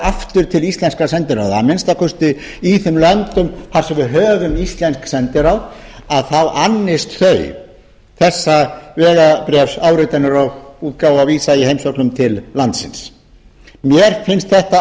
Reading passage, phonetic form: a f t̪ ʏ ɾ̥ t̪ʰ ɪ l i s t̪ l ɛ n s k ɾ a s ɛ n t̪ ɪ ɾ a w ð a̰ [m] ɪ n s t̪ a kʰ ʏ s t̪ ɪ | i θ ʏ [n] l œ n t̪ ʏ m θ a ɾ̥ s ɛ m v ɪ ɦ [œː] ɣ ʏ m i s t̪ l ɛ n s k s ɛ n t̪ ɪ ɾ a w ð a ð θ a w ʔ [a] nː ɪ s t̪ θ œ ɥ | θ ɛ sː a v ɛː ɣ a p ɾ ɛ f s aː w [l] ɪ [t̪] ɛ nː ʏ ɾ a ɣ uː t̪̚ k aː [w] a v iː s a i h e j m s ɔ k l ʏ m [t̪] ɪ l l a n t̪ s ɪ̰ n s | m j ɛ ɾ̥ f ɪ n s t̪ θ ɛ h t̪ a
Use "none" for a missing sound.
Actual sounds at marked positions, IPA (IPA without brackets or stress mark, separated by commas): m, m, œː, a, ɾ, t̪, w, t̪ʰ